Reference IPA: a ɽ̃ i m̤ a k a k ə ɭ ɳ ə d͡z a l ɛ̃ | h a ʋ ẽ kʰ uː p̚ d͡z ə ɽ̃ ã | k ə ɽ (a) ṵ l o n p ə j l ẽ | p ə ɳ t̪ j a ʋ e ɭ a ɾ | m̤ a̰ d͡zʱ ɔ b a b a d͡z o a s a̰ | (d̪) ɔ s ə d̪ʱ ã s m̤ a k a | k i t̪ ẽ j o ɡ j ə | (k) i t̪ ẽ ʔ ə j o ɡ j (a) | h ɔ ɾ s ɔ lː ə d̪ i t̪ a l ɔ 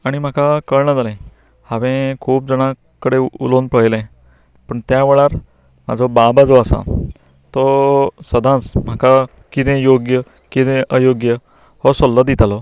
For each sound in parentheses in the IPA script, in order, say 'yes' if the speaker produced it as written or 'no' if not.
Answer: no, no, yes, no

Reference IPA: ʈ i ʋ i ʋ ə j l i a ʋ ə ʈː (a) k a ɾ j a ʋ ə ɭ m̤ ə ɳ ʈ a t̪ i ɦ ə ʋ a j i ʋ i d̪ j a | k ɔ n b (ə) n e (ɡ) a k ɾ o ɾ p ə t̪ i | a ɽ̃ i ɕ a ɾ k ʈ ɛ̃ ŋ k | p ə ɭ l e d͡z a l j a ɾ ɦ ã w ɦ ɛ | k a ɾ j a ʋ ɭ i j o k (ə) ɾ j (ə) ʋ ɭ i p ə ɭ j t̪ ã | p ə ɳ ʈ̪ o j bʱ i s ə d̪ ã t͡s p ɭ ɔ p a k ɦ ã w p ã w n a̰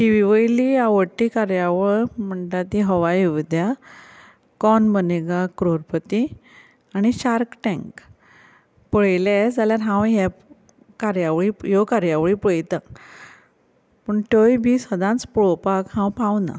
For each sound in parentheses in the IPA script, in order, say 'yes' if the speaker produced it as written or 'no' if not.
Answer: no, yes, yes, no, no

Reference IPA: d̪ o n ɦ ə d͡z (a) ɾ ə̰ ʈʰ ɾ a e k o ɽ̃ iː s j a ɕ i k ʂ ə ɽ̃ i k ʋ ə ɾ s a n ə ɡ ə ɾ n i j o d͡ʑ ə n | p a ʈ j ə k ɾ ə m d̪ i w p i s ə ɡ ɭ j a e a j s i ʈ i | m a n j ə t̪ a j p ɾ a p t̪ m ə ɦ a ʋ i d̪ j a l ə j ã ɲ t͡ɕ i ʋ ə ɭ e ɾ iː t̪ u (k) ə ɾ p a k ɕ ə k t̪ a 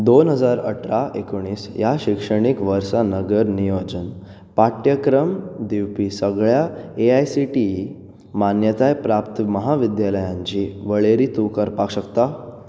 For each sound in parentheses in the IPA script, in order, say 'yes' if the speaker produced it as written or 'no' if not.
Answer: yes, yes

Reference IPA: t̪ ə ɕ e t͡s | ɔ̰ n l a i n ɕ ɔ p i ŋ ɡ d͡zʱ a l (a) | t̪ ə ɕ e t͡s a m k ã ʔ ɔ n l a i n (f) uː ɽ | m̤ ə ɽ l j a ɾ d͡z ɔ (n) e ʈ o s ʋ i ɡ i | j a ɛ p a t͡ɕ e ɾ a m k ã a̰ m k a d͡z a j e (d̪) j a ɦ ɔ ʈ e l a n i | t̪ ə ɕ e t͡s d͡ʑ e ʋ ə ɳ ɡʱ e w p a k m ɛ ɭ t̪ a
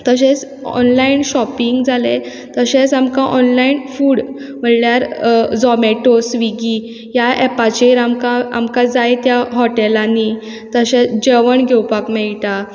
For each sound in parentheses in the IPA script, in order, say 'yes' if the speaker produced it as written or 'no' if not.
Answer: no, yes, no, no

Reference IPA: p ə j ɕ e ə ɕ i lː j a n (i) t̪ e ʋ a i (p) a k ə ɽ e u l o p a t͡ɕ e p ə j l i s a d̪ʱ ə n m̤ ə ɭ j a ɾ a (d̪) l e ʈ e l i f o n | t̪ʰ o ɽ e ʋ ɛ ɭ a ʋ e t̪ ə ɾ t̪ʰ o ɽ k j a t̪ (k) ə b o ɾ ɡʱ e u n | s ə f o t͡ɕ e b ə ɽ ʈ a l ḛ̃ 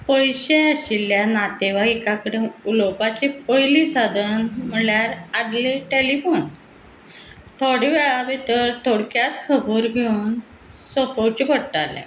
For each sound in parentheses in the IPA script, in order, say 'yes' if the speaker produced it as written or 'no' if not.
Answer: no, no, yes, no

